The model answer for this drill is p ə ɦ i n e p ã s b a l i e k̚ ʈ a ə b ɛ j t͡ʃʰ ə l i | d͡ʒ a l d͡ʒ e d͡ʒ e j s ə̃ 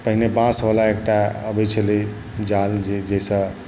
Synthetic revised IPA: p ə ɦ i n e b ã s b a l a e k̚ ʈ a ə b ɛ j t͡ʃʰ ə l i | d͡ʒ a l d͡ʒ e d͡ʒ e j s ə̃